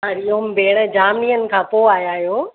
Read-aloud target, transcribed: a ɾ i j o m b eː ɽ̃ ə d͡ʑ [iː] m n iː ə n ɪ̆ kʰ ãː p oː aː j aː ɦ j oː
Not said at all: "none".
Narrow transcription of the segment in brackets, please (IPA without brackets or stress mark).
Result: aː